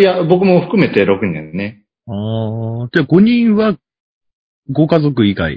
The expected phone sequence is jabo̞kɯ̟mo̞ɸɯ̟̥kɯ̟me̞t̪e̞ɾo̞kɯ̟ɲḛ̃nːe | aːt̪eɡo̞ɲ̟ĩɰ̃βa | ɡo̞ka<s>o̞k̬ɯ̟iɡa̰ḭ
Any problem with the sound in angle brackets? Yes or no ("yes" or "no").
yes